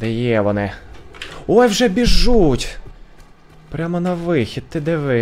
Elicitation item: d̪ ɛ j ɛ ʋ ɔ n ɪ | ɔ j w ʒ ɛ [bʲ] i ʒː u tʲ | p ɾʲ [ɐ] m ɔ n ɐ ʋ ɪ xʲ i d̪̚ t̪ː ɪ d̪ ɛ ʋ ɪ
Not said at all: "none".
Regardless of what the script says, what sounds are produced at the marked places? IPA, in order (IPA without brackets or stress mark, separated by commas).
bʲ, a